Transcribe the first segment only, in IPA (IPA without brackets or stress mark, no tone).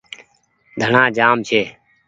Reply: d̪ʱ